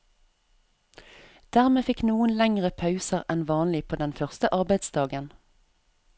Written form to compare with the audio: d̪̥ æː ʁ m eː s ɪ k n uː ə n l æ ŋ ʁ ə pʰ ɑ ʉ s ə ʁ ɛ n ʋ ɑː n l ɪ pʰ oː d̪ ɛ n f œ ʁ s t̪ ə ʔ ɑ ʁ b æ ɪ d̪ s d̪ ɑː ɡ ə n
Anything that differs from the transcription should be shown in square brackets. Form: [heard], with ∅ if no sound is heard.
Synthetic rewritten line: d̪̥ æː ʁ m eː [f] ɪ k n uː ə n l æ ŋ ʁ ə pʰ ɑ ʉ s ə ʁ ɛ n ʋ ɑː n l ɪ pʰ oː d̪ ɛ n f œ ʁ s t̪ ə ʔ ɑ ʁ b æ ɪ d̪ s d̪ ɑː ɡ ə n

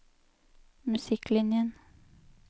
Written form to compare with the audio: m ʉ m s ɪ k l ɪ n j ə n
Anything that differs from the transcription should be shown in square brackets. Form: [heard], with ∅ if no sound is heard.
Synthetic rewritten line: m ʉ [∅] s ɪ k l ɪ n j ə n

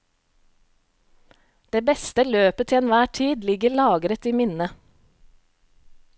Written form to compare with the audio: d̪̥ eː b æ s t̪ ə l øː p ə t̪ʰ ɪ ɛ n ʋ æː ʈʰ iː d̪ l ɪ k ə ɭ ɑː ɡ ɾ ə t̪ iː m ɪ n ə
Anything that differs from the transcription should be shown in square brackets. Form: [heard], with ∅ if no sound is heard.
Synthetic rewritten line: d̪̥ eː b [ɛ] s t̪ ə l øː p ə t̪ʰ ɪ ɛ n ʋ æː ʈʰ iː d̪ l ɪ [ɡ] ə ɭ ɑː ɡ ɾ ə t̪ iː m ɪ n ə

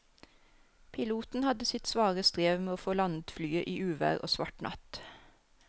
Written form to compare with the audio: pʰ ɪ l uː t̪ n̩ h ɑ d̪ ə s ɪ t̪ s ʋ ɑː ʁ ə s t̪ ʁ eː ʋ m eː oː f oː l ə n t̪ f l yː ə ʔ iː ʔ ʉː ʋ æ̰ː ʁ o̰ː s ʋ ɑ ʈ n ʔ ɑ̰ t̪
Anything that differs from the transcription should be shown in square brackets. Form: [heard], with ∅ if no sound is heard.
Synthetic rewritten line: pʰ ɪ l uː t̪ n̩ h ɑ d̪ ə s ɪ t̪ s ʋ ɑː ʁ ə s t̪ ʁ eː ʋ m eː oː f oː l [ɑ] n [d̪] f l yː ə ʔ iː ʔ ʉː ʋ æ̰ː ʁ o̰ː s ʋ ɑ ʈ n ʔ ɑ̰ t̪

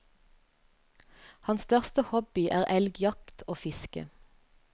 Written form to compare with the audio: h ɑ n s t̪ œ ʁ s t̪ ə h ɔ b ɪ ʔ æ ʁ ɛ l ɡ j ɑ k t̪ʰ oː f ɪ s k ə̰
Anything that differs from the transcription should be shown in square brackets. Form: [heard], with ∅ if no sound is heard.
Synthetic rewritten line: h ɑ n s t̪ œ ʁ s t̪ ə h ɔ b ɪ ʔ [æː] ʁ ɛ l ɡ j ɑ k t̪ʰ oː f ɪ s k ə̰

